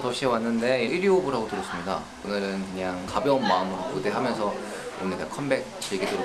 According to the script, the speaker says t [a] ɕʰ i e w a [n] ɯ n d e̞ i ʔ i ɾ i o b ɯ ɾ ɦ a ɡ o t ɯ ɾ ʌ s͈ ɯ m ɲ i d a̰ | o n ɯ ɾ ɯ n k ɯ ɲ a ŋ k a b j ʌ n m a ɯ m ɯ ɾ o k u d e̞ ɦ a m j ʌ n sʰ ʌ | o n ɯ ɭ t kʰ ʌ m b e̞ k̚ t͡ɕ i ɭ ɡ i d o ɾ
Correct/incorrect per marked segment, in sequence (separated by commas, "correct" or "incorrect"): incorrect, incorrect